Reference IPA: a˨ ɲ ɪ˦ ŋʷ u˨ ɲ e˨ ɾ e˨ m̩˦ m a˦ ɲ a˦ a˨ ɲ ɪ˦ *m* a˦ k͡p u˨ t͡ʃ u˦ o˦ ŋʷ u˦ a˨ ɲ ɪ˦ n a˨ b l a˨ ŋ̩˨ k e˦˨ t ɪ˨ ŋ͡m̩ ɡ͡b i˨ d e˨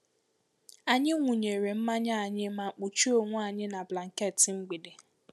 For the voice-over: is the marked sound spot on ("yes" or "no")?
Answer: yes